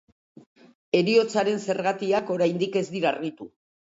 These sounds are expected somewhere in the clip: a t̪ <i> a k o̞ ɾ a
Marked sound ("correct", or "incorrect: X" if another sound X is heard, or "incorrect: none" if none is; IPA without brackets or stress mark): correct